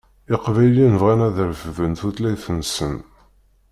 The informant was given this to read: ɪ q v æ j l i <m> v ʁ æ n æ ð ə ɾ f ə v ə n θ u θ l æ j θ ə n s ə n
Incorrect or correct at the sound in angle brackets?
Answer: incorrect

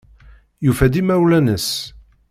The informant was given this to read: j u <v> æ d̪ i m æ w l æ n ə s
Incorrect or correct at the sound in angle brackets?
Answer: incorrect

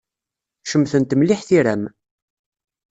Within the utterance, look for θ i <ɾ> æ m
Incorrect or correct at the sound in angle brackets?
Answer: correct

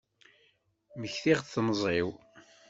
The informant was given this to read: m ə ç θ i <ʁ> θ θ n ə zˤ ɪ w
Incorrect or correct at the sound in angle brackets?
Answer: correct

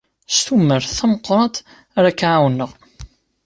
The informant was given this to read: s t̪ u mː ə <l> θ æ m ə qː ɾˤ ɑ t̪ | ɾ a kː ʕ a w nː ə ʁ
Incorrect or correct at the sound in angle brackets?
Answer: incorrect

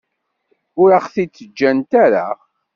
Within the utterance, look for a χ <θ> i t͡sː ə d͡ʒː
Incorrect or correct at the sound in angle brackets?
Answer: correct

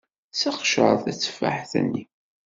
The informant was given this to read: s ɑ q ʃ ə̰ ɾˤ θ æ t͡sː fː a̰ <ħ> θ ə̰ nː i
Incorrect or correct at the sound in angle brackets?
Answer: correct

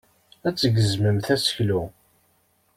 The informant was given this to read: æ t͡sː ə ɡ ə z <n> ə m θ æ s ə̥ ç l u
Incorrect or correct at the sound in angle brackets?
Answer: incorrect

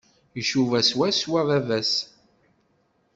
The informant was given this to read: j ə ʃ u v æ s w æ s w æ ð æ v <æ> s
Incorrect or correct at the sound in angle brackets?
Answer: correct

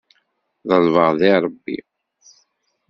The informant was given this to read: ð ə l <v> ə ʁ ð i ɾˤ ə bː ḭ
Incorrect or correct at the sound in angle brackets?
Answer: correct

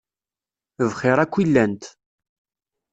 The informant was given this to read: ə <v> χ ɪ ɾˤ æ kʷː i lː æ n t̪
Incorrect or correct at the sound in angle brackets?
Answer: correct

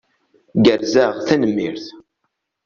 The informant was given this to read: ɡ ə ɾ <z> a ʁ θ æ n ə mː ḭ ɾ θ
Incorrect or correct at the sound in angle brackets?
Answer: correct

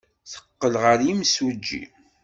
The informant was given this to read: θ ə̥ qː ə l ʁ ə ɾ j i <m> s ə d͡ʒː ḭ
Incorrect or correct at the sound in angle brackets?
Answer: correct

